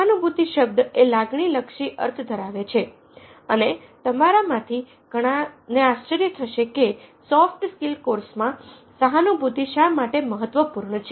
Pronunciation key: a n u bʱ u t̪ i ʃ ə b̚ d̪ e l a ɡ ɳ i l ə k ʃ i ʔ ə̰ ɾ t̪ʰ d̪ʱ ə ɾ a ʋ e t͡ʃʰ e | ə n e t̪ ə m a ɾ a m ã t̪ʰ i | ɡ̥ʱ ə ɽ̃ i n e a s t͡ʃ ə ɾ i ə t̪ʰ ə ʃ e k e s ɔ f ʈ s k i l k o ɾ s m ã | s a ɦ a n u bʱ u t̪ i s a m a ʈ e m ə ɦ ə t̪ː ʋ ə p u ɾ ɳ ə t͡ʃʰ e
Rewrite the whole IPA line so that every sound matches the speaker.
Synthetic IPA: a n u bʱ u t̪ i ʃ ə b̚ d̪ e l a ɡ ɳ i l ə k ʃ i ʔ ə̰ ɾ t̪ʰ d̪ʱ ə ɾ a ʋ e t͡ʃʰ e | ə n e t̪ ə m a ɾ a m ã t̪ʰ i | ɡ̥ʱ ə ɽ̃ a n e a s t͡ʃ ə ɾ j ə t̪ʰ ə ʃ e k e s ɔ f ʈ s k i l k o ɾ s m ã | s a ɦ a n u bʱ u t̪ i ʃ a m a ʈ e m ə ɦ ə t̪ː ʋ ə p u ɾ ɳ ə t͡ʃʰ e